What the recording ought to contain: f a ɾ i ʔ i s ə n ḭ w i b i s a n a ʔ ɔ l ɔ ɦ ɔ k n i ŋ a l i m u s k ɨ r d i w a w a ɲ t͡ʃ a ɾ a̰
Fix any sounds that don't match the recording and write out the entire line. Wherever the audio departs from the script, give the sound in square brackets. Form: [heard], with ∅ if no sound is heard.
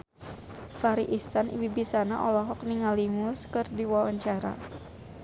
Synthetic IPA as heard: f a ɾ i ʔ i s [a] n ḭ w i b i s a n a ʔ ɔ l ɔ ɦ ɔ k n i ŋ a l i m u s k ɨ r d i w a w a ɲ t͡ʃ a ɾ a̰